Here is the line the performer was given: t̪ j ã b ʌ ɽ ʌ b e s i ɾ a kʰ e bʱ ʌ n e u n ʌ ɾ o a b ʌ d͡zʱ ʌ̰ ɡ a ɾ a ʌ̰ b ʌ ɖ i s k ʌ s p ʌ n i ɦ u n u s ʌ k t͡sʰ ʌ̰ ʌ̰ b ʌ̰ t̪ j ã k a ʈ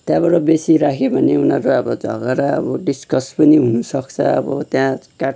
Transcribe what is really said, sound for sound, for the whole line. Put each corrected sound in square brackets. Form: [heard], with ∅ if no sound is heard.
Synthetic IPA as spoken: t̪ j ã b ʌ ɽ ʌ b e s i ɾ a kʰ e bʱ ʌ n e u n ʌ ɾ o [ʌ] b ʌ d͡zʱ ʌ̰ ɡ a ɾ a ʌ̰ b ʌ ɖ i s k ʌ s p ʌ n i ɦ u n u s ʌ k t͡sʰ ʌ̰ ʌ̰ b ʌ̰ t̪ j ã k a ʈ